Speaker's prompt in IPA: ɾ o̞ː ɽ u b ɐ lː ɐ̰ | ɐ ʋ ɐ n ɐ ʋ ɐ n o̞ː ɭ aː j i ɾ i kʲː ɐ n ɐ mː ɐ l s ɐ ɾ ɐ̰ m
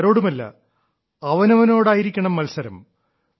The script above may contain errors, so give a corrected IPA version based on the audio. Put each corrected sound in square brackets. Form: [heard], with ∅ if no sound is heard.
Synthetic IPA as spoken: ɾ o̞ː ɽ u [m] ɐ lː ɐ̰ | ɐ ʋ ɐ n ɐ ʋ ɐ n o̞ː [ɽ] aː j i ɾ i kʲː ɐ [ɳ] ɐ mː ɐ l s ɐ ɾ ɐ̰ m